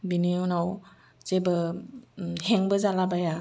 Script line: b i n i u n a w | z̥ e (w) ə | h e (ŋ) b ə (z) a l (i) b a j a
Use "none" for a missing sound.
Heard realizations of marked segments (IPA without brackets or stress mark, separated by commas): b, ŋ, z, a